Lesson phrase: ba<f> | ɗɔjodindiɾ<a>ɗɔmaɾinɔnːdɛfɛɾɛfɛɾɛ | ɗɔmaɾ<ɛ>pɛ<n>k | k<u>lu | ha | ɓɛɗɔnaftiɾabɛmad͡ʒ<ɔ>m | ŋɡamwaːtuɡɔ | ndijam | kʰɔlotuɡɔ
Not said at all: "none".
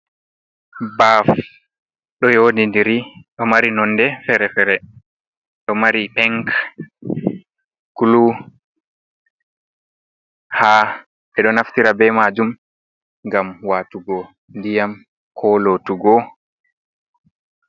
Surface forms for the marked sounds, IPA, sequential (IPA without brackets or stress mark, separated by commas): f, i, i, ŋ, u, u